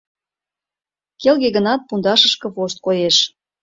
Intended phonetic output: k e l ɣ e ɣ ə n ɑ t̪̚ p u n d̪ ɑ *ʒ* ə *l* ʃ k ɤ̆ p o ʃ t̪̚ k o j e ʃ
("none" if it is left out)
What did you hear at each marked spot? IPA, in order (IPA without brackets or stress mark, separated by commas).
ʃ, none